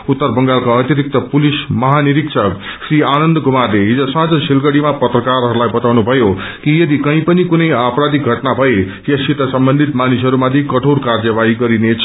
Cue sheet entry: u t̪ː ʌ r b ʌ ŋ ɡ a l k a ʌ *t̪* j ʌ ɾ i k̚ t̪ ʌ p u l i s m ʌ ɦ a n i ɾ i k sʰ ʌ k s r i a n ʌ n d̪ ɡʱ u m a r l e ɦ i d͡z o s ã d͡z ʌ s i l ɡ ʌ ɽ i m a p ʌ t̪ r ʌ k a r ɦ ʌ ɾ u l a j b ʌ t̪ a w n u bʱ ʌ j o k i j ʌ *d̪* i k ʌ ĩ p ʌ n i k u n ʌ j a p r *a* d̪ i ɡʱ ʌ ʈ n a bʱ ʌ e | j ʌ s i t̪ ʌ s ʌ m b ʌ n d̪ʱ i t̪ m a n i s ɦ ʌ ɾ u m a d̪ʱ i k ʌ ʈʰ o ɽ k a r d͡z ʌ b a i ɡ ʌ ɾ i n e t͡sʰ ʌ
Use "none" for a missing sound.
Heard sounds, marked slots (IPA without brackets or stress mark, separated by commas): t̪, d̪, a